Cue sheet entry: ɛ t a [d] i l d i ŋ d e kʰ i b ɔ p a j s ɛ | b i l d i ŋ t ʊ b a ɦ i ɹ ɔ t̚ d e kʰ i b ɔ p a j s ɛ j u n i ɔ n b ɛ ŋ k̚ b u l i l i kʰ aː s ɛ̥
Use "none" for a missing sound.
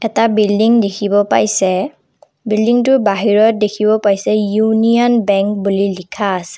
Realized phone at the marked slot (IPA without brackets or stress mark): b